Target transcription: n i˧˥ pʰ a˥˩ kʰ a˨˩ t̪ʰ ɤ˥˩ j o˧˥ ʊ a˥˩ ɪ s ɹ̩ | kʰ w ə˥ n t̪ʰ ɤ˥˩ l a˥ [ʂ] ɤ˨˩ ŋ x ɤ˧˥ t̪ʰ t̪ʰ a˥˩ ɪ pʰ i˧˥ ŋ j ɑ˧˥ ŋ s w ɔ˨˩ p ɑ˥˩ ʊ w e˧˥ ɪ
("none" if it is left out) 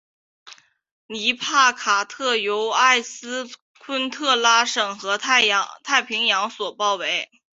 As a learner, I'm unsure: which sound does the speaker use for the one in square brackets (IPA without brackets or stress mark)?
ʂ